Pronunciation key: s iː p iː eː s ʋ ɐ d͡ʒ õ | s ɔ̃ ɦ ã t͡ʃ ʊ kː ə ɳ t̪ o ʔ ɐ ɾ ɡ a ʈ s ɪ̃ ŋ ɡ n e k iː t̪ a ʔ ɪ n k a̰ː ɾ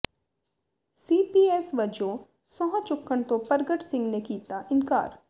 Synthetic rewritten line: s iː p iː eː s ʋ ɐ d͡ʒ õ | s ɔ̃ ɦ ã t͡ʃ ʊ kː ə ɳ t̪ o p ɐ ɾ ɡ ə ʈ s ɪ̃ ŋ ɡ n e k iː t̪ a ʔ ɪ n k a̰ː ɾ